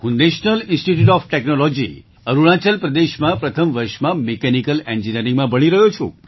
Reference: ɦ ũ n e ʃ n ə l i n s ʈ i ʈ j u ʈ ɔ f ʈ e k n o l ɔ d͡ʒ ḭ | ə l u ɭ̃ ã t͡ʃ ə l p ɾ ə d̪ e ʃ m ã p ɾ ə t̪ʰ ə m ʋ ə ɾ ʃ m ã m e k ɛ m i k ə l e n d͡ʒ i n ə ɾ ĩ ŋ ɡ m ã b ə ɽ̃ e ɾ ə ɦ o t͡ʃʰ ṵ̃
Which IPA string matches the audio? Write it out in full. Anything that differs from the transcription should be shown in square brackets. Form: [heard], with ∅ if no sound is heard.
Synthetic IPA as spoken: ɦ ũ n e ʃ n ə l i n s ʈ i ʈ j u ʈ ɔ f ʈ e k n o l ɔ d͡ʒ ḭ | ə [ɾ] u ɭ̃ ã t͡ʃ ə l p ɾ ə d̪ e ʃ m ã p ɾ ə t̪ʰ ə m ʋ ə ɾ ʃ m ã m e k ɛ [n] i k ə l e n d͡ʒ i n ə ɾ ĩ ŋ ɡ m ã b ə ɽ̃ [i] ɾ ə ɦ o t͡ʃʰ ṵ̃